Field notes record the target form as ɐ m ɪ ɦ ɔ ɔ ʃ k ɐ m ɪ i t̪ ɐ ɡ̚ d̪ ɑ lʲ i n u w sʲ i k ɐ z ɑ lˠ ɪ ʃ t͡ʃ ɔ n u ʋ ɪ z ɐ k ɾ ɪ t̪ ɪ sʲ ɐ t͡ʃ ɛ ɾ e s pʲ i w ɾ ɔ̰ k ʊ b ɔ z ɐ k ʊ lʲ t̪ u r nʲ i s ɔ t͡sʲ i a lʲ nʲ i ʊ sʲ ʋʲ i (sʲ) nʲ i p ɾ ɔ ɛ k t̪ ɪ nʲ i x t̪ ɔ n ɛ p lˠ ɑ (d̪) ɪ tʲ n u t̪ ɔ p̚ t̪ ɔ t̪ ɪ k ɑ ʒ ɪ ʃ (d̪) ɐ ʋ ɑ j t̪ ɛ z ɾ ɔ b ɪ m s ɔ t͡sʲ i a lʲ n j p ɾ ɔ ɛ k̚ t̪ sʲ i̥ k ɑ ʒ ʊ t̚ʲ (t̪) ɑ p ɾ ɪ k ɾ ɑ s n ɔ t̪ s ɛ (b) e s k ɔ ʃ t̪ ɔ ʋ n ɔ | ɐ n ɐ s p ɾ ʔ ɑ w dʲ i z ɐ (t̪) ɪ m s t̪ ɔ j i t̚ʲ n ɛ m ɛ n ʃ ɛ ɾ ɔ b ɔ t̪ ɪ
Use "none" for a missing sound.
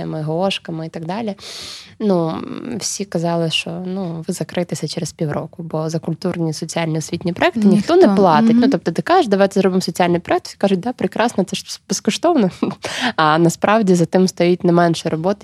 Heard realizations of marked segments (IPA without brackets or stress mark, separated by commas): tʲ, t̪, d̪, d̪, b, t̪